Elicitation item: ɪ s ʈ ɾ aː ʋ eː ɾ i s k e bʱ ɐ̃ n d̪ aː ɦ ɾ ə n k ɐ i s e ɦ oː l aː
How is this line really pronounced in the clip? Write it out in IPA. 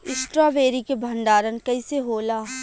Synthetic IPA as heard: ɪ s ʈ ɾ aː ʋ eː ɾ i k e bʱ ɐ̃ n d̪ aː ɾ ə n k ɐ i s e ɦ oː l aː